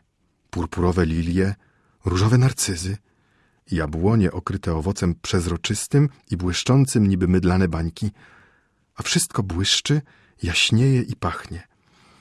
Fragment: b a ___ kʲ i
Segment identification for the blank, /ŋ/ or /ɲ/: ɲ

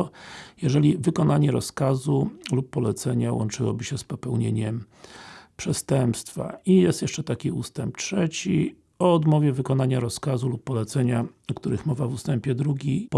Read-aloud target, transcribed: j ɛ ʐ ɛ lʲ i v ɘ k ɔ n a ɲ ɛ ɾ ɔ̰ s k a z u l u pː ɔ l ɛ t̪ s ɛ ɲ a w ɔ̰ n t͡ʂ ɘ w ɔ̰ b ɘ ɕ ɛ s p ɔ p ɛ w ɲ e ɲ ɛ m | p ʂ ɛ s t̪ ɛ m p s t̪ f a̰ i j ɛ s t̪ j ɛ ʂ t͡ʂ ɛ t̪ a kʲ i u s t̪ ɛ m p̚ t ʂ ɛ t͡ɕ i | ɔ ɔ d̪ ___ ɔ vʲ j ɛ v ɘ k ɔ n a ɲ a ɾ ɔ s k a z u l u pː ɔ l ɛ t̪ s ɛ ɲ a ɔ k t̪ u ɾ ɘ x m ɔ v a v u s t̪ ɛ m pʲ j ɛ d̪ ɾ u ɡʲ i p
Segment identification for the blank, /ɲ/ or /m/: m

